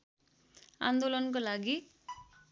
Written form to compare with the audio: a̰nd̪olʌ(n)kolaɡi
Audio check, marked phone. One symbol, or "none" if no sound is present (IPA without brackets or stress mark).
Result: n